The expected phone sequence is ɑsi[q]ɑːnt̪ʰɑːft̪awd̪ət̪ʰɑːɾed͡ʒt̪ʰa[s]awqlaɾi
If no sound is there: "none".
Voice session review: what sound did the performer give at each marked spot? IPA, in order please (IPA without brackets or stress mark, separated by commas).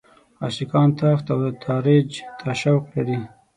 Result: k, ʃ